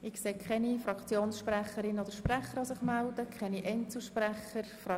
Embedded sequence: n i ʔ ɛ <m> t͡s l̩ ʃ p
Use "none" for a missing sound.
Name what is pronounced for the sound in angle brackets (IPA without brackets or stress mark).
n